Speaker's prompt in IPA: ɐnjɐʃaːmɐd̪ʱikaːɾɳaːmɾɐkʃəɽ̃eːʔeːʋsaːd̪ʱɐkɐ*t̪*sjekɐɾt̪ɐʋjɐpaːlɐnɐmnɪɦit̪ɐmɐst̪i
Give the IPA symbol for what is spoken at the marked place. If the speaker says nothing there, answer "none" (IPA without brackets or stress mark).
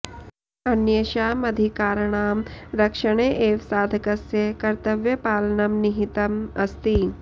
none